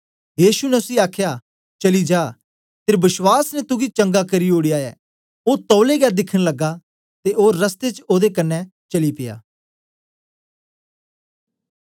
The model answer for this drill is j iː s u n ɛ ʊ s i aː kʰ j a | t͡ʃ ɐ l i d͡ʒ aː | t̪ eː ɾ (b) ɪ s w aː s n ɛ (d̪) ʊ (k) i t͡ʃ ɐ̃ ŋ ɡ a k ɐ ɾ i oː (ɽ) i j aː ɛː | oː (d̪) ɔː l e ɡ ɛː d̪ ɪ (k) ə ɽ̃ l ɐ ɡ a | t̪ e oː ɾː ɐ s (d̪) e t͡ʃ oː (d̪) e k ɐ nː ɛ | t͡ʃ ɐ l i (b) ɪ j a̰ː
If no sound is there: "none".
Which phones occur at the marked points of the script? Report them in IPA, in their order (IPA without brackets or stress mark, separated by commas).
b, t̪, ɡ, ɽ, t̪, kʰ, t̪, d̪, p